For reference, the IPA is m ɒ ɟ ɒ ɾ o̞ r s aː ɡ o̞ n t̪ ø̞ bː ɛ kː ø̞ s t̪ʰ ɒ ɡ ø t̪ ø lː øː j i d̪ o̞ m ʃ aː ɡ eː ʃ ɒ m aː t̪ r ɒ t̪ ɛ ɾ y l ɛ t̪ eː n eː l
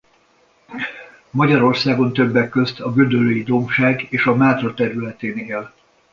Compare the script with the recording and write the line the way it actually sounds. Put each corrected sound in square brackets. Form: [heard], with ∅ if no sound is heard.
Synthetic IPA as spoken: m ɒ ɟ ɒ ɾ o̞ r s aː ɡ o̞ n t̪ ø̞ bː ɛ kː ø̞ s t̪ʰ ɒ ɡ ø [d̪] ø [l] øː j i d̪ o̞ m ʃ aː ɡ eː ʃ ɒ m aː t̪ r ɒ t̪ ɛ ɾ y l ɛ t̪ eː n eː l